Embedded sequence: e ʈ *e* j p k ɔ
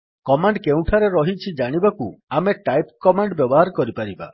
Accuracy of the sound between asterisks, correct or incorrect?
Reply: incorrect